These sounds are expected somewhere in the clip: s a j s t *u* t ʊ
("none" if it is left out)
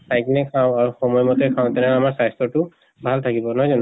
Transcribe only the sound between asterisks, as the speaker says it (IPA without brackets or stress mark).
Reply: ɔ